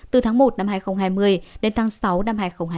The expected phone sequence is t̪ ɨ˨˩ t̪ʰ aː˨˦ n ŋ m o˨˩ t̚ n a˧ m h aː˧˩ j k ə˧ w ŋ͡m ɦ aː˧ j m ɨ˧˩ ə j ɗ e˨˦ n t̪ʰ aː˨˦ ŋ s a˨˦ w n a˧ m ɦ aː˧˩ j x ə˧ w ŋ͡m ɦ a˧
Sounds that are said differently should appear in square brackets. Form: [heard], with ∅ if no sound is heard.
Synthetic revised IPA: t̪ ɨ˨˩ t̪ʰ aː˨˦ [∅] ŋ m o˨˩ t̚ n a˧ m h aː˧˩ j [x] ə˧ w ŋ͡m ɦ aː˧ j m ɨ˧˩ ə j ɗ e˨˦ n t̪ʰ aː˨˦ ŋ s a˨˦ w n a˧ m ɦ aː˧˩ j x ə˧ w ŋ͡m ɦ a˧